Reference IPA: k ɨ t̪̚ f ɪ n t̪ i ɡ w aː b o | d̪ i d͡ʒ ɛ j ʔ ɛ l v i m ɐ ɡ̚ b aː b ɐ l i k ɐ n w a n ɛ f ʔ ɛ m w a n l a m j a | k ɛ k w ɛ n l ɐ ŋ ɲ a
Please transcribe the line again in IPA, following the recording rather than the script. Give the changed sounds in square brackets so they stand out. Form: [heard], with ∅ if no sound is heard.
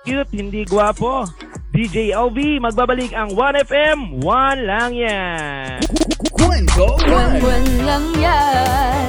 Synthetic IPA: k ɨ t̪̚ [h] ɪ n [d̪] i ɡ w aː [p] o | d̪ i d͡ʒ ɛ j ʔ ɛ l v i m ɐ ɡ̚ b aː b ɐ l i k ɐ [ŋ] w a n ɛ f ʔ ɛ m w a n l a [ŋ] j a | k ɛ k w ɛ n l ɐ ŋ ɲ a